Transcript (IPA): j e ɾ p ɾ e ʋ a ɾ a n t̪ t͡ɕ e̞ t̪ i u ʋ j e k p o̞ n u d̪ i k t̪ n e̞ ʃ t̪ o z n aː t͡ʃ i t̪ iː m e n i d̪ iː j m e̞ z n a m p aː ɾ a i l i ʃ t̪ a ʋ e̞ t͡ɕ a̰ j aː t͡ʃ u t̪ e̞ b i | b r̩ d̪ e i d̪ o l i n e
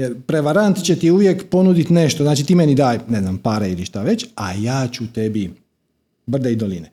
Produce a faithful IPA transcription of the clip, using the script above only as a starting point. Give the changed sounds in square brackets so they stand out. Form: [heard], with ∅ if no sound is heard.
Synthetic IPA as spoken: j e ɾ p ɾ e ʋ a ɾ a n t̪ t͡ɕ e̞ t̪ i u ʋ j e k p o̞ n u d̪ i [∅] t̪ n e̞ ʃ t̪ o z n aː t͡ʃ i t̪ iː m e n i d̪ [aː] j [n] e̞ z n a m p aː ɾ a i l i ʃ t̪ a ʋ e̞ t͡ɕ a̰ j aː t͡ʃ u t̪ e̞ b i | b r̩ d̪ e i d̪ o l i n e